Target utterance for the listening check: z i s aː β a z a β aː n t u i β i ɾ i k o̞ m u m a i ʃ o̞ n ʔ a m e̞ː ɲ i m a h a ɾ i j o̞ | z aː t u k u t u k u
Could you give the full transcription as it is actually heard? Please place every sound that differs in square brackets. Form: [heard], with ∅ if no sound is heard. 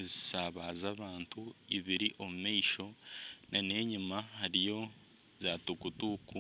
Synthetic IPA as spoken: z i s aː β a z a β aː n t u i β i ɾ i [ʔ] o̞ m u m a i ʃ o̞ n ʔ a [n] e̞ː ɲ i m a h a ɾ i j o̞ | z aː t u k u t u k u